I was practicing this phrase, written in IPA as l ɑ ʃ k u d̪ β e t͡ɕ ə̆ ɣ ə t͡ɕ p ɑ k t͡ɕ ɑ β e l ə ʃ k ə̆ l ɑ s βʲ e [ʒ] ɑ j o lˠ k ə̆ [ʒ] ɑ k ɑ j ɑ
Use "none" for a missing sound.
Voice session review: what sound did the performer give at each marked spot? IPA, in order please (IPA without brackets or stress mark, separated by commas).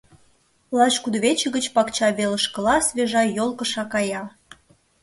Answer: ʒ, ʃ